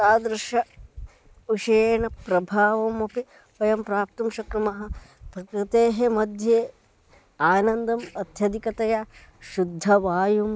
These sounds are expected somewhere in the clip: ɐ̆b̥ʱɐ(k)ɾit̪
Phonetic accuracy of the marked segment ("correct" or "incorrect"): correct